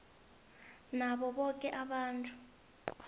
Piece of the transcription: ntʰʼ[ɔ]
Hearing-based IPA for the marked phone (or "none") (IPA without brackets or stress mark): u